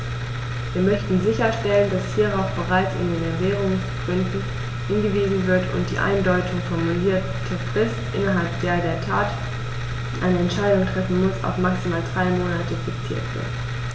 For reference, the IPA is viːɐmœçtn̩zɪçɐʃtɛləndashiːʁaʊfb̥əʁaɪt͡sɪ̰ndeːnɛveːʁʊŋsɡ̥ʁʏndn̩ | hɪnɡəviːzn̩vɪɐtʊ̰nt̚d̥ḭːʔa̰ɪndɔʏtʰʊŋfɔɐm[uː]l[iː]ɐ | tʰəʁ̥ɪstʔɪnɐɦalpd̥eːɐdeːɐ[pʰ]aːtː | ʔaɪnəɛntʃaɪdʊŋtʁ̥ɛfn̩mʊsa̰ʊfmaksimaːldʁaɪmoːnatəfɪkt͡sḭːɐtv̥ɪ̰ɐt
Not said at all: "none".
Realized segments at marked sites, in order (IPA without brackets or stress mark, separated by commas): u, iː, tʰ